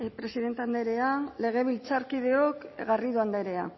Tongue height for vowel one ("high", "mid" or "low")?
mid